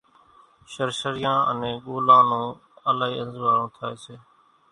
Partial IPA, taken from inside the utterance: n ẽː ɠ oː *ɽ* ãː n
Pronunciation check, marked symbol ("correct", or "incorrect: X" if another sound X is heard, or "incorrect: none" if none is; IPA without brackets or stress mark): incorrect: l